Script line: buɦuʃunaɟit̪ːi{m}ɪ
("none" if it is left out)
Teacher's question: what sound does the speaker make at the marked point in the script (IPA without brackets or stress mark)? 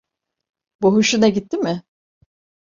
m